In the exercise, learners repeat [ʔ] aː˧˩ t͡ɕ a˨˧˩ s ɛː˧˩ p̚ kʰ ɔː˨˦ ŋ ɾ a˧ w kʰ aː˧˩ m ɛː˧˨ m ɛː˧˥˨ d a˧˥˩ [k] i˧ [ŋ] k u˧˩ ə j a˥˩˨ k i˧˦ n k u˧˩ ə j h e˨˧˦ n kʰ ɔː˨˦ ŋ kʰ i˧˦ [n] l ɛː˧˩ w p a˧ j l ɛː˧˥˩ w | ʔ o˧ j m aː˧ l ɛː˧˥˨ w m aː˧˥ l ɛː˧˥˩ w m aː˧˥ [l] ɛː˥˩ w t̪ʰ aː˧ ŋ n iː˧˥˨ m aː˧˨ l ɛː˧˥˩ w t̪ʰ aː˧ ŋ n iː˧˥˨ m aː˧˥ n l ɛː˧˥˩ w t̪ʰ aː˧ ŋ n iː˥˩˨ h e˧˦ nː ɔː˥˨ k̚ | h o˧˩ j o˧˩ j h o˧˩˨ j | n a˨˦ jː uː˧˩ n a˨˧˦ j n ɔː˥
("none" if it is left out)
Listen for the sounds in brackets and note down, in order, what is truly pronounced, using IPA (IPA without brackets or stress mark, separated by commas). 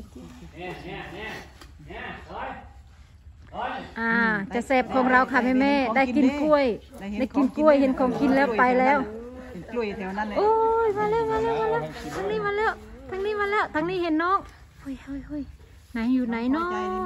ʔ, k, n, n, l